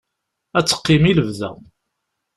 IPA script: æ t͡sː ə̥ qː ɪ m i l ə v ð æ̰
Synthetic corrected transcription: æ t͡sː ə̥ qː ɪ m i l ə v ð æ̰